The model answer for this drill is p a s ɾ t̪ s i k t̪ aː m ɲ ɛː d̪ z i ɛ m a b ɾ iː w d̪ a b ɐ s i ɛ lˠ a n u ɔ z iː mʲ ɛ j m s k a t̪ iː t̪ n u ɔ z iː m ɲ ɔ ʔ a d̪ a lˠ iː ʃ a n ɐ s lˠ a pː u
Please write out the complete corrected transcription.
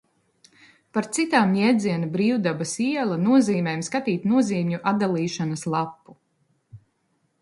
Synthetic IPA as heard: p a ɾ t̪ s i t̪ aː m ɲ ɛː d̪ z i ɛ n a b ɾ iː w d̪ a b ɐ s i ɛ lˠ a n u ɔ z iː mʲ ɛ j m s k a t̪ iː t̪ n u ɔ z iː m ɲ u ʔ a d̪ a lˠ iː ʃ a n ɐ s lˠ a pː u